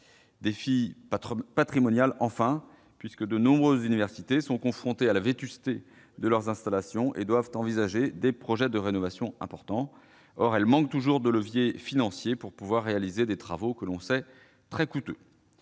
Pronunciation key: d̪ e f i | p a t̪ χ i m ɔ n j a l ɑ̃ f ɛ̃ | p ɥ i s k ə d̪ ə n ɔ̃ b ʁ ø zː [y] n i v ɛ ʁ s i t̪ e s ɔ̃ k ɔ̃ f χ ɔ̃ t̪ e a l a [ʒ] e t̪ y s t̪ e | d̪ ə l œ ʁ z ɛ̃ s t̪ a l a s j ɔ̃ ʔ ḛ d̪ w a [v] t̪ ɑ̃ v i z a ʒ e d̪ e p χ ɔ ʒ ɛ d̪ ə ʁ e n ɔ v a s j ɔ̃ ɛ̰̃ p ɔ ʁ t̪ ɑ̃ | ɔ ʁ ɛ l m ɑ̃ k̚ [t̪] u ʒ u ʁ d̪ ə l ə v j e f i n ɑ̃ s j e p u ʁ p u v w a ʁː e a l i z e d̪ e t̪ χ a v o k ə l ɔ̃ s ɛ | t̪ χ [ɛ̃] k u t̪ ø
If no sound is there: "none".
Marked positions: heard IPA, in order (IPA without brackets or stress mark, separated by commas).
y, v, v, t̪, ɛ